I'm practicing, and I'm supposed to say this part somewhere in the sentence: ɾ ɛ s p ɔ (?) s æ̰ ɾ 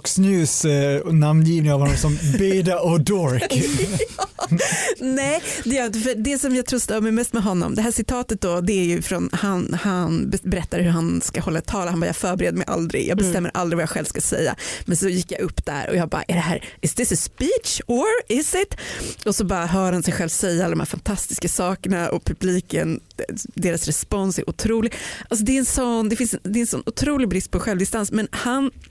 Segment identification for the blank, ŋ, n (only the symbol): n